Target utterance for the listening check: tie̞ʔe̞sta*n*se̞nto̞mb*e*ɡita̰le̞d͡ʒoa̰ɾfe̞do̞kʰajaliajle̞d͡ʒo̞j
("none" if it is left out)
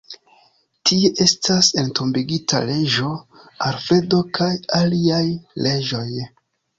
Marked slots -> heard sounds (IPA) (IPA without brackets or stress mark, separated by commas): none, i